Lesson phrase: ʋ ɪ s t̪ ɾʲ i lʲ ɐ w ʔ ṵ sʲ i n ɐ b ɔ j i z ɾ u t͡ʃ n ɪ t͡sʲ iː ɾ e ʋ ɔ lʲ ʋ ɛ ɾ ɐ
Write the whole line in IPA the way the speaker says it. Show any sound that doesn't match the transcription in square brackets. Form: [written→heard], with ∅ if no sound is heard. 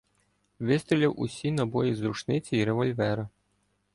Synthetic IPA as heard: ʋ ɪ s t̪ ɾʲ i lʲ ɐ w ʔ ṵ sʲ i n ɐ b ɔ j i z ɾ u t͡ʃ n ɪ t͡sʲ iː ɾ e ʋ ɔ lʲ ʋ ɛ ɾ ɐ